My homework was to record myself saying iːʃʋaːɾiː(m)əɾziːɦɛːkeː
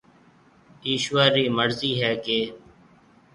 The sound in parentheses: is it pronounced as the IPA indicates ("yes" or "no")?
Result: yes